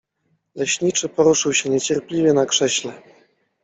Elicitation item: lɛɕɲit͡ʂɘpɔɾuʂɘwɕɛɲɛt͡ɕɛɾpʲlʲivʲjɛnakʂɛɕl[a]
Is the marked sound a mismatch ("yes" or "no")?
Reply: yes